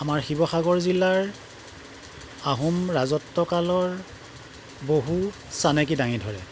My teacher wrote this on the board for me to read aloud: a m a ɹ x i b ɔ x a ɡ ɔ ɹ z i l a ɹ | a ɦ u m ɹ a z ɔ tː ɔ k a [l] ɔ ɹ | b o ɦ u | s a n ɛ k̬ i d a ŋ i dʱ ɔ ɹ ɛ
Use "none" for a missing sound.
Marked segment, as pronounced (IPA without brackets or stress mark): l